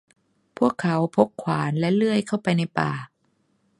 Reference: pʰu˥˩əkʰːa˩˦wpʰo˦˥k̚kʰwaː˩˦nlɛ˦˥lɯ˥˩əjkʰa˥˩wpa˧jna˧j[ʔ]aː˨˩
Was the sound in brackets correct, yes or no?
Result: no